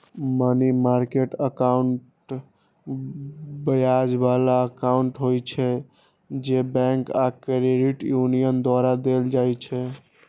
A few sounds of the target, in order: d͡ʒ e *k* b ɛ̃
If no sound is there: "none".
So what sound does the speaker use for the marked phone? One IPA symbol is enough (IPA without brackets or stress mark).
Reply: none